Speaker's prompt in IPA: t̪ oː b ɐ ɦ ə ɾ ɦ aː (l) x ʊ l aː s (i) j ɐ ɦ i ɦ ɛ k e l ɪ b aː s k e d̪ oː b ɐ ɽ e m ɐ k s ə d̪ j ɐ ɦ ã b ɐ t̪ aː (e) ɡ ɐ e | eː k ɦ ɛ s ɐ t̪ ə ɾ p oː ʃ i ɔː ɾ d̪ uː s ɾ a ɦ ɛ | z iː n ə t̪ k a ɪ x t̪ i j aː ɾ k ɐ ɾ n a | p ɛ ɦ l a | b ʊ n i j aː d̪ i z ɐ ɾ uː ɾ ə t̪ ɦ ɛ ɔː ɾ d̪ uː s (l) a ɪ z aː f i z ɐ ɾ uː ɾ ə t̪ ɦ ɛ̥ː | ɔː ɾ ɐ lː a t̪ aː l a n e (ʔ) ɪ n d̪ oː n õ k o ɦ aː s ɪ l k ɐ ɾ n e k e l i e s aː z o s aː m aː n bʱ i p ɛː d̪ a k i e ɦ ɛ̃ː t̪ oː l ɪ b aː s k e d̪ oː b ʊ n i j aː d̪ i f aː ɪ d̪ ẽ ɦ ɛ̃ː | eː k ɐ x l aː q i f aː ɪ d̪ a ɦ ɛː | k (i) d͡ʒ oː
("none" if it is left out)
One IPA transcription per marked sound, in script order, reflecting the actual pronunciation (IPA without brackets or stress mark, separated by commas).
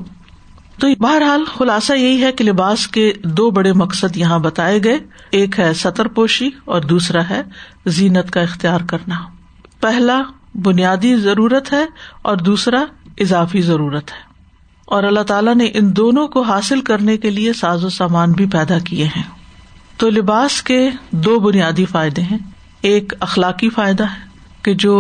l, a, e, ɾ, ʔ, e